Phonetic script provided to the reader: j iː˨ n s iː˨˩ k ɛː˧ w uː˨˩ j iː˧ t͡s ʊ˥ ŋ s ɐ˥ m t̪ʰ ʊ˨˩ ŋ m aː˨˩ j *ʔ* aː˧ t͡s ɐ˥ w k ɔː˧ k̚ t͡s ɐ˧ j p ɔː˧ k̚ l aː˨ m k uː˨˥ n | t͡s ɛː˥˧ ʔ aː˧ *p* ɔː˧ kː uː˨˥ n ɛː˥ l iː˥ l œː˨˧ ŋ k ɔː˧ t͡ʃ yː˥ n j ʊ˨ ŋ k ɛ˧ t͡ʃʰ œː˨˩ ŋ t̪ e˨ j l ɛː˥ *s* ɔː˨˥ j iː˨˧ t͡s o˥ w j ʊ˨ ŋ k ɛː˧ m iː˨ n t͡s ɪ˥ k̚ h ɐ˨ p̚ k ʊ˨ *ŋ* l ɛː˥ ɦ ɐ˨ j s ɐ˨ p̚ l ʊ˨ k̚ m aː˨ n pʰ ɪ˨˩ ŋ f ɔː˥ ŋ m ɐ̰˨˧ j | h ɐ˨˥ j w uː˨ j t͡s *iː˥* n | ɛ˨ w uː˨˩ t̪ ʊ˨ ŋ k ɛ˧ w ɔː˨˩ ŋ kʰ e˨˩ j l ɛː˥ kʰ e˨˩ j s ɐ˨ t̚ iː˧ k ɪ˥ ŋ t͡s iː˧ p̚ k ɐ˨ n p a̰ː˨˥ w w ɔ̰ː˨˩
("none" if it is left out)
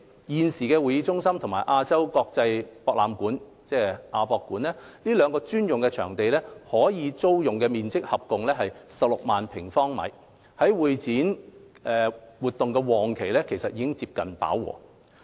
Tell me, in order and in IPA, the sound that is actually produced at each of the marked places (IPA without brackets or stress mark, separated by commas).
ʔ, p, h, ŋ, iː˨˥